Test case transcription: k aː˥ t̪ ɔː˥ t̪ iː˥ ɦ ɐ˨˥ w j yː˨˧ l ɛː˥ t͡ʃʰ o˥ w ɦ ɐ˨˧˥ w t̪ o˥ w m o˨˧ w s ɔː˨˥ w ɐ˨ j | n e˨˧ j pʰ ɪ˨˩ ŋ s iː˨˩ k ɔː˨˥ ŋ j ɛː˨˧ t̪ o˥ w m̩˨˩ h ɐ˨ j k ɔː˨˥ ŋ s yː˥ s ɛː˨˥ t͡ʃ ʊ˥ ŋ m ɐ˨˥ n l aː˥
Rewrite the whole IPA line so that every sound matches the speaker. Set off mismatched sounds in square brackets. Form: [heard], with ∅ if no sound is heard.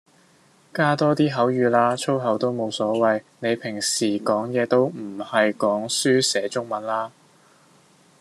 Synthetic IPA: k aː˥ t̪ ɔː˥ t̪ iː˥ ɦ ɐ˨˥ w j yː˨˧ l [aː˥] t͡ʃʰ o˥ w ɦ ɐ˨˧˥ w t̪ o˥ w m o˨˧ w s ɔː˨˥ w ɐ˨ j | n e˨˧ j pʰ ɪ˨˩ ŋ s iː˨˩ k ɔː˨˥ ŋ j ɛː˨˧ t̪ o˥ w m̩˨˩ h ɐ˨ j k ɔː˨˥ ŋ s yː˥ s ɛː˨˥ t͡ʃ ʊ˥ ŋ m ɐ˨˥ n l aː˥